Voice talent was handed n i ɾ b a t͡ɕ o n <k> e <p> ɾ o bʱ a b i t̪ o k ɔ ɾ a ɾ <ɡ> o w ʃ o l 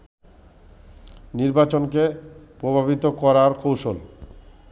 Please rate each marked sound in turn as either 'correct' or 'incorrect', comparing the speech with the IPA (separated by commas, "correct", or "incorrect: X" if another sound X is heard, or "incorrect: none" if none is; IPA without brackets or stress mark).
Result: correct, correct, incorrect: k